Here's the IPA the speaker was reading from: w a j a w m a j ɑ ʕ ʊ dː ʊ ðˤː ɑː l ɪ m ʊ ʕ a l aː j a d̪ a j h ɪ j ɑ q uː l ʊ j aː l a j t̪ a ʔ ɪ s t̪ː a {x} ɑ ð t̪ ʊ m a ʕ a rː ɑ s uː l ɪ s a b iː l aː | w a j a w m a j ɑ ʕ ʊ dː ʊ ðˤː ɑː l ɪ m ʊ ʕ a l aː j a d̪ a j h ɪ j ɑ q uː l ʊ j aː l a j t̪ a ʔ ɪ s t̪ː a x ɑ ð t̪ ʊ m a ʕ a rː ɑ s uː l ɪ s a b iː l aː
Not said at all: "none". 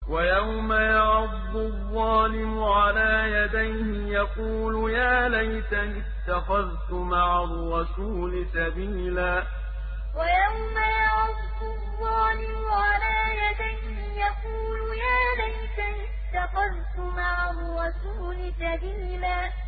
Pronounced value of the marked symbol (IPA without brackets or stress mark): x